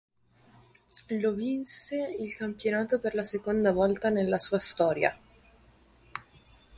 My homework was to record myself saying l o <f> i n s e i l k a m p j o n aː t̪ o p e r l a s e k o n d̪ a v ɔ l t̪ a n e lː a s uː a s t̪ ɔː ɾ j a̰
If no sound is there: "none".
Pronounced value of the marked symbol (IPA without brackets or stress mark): v